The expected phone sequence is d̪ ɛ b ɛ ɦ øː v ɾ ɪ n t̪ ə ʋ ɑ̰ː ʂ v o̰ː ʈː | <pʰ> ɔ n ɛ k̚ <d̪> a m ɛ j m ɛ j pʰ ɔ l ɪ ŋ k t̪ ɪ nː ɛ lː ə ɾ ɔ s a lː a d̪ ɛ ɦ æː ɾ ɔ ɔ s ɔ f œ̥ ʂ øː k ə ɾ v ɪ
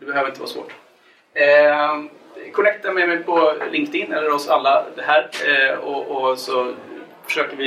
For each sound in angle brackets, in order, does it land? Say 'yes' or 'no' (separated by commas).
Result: no, no